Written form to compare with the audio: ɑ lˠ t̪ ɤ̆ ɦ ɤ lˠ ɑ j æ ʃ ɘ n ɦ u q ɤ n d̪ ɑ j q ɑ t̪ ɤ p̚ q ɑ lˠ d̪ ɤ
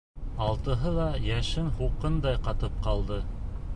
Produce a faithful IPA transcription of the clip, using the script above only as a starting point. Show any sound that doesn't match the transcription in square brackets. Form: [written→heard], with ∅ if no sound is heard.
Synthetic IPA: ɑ lˠ t̪ ɤ̆ ɦ ɤ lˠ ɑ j æ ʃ ɘ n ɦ u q ɤ n d̪ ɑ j q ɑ t̪ ɤ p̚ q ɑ lˠ d̪ ɤ